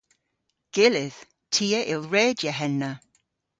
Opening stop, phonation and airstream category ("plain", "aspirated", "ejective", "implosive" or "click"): plain